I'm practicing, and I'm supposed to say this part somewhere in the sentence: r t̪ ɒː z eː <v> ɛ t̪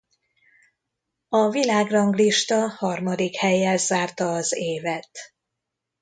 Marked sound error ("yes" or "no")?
no